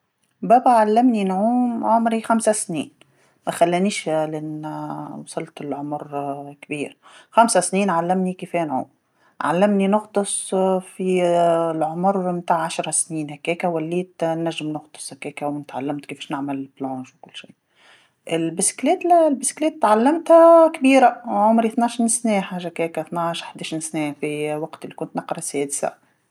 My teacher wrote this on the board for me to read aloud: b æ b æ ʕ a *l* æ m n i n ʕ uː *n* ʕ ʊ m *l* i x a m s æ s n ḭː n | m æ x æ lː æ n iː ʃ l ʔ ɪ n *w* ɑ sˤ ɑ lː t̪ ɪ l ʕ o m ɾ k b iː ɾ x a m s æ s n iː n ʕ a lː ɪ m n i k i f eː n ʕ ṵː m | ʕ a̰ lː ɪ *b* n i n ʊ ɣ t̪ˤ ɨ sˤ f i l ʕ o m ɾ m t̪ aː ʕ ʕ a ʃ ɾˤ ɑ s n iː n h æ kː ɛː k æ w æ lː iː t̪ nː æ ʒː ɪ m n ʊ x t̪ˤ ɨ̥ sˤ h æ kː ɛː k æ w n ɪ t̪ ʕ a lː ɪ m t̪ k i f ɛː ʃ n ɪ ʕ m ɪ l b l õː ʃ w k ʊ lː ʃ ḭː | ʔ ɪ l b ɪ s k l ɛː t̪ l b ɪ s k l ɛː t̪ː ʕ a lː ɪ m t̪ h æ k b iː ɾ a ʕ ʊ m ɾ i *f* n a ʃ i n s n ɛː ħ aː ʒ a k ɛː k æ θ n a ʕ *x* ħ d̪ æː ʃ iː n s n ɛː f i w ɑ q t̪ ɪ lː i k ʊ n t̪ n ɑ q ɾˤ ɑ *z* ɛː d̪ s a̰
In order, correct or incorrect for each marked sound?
incorrect, incorrect, incorrect, correct, incorrect, incorrect, incorrect, incorrect

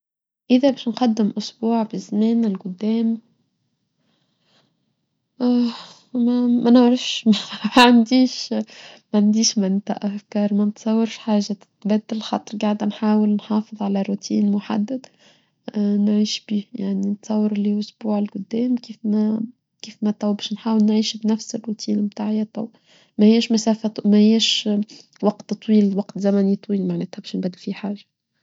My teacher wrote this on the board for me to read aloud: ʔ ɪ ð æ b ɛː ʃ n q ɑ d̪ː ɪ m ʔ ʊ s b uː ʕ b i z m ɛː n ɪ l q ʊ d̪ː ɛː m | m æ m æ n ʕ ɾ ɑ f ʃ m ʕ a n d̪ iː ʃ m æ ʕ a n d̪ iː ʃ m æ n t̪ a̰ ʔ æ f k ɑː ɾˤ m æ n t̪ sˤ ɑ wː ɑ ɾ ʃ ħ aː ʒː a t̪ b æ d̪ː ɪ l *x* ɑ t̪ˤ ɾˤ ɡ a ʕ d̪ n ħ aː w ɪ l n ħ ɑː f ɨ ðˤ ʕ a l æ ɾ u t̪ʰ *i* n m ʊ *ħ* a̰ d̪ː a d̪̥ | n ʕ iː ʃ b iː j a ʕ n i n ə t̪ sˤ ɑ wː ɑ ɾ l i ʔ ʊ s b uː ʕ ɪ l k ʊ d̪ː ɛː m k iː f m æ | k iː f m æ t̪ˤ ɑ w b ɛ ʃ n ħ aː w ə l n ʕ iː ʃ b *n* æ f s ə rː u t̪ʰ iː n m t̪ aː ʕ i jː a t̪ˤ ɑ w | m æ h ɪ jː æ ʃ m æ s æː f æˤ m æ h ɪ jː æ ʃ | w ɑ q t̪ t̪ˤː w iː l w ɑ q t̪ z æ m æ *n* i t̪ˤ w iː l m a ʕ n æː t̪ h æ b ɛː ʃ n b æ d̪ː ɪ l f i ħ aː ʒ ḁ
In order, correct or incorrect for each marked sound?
correct, incorrect, correct, correct, correct

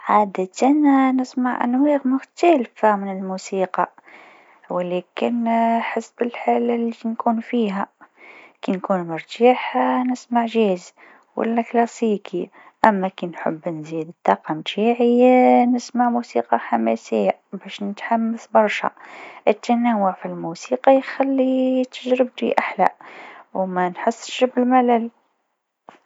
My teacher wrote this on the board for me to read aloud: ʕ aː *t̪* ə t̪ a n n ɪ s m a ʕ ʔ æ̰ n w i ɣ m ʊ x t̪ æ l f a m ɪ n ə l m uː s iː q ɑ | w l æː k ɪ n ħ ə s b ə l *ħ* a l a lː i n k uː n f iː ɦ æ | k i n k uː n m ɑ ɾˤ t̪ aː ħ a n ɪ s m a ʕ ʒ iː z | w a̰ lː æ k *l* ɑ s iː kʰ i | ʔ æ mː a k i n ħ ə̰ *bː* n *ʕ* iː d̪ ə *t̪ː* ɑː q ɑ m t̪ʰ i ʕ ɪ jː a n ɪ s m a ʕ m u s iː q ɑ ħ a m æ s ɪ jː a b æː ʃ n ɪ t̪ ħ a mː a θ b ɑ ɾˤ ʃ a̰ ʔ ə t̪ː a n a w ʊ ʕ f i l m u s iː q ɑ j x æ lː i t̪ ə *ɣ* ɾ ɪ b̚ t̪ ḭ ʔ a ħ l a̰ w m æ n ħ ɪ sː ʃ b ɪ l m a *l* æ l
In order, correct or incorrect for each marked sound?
incorrect, correct, correct, correct, incorrect, correct, incorrect, correct

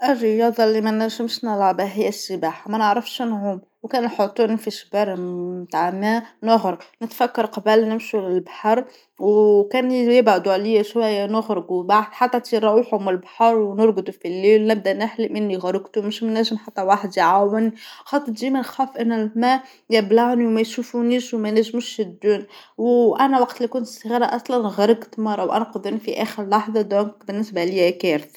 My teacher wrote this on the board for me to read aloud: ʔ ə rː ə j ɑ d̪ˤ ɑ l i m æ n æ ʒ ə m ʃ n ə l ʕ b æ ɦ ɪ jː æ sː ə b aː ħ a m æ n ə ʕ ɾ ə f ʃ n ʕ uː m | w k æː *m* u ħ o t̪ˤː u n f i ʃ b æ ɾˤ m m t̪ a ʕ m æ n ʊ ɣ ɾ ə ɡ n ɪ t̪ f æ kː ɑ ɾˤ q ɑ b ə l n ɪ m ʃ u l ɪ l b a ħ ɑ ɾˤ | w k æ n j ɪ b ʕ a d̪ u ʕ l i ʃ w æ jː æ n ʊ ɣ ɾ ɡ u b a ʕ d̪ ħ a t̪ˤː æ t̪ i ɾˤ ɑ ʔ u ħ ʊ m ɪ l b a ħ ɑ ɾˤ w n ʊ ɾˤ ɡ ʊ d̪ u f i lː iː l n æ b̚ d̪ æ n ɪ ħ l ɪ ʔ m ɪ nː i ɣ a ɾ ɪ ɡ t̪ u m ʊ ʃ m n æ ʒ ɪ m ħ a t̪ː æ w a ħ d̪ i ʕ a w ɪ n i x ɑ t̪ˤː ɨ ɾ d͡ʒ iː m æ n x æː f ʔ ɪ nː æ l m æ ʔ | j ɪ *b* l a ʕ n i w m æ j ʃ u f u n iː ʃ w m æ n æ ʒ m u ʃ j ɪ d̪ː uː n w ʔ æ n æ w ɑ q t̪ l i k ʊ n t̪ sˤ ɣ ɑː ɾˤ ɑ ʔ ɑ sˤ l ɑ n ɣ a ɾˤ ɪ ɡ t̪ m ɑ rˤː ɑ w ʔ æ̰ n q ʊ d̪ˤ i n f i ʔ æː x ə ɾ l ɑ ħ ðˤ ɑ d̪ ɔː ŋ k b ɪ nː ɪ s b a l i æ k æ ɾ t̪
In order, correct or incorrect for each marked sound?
incorrect, correct

